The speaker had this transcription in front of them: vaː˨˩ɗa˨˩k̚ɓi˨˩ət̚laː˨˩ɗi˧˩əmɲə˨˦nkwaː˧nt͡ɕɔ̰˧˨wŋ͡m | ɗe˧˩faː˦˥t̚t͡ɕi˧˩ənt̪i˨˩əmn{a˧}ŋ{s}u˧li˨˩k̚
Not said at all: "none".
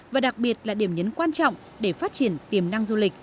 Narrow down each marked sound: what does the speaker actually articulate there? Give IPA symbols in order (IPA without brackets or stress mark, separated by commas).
a˧, z